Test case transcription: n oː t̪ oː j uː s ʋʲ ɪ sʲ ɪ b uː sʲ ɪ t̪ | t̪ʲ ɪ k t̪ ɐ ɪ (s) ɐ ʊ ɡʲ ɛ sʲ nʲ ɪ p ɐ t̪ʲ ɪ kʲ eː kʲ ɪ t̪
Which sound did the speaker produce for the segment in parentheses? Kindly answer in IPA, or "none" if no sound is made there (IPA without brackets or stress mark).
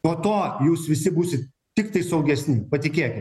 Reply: s